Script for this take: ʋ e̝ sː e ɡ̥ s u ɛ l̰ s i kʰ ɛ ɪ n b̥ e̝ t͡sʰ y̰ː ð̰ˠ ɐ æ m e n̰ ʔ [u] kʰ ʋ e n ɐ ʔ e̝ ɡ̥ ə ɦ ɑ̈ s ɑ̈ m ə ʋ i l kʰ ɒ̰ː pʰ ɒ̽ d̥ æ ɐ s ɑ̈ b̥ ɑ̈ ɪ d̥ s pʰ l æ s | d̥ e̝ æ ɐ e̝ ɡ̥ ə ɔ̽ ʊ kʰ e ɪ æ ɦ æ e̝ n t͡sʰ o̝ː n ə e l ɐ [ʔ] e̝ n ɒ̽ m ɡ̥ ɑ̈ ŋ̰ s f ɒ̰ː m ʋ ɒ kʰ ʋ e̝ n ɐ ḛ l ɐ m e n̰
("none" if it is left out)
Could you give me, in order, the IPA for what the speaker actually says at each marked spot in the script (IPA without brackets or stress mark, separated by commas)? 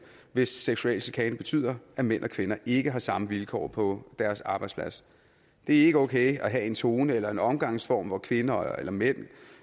ɒ, none